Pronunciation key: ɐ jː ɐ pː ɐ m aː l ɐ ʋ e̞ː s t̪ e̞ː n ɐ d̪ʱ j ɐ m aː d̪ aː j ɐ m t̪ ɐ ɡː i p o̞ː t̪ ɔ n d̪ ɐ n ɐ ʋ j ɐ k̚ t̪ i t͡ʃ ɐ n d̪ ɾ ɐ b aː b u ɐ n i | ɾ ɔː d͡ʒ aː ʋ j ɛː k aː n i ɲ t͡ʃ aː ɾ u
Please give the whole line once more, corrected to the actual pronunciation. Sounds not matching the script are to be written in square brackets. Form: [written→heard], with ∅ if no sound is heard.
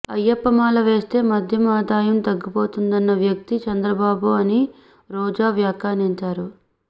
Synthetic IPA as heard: ɐ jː ɐ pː ɐ m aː l ɐ ʋ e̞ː s t̪ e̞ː [n→m] ɐ d̪ʱ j ɐ m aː d̪ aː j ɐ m t̪ ɐ ɡː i p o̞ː t̪ [ɔ→u] n d̪ ɐ [n→nː] ɐ ʋ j ɐ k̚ t̪ i t͡ʃ ɐ n d̪ ɾ ɐ b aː b u ɐ n i | ɾ ɔː d͡ʒ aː ʋ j [ɛː→aː] k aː n i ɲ t͡ʃ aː ɾ u